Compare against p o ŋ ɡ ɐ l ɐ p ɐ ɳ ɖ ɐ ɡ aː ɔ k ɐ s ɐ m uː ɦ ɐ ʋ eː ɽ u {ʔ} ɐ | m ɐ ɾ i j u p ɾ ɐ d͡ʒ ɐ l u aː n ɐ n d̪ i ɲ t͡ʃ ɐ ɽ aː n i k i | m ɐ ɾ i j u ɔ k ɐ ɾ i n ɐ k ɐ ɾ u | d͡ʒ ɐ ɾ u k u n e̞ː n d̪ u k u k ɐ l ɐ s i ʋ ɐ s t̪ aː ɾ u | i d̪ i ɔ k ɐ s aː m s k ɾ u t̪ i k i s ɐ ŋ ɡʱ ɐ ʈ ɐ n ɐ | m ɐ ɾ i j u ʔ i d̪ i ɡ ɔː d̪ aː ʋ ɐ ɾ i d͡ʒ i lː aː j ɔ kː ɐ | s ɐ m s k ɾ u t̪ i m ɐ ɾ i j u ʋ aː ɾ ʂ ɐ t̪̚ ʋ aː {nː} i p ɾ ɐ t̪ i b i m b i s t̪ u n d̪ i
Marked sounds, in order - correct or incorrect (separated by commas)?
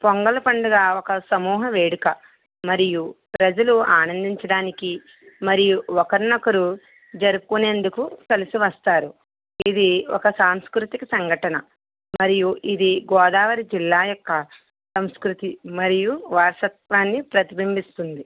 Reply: incorrect, correct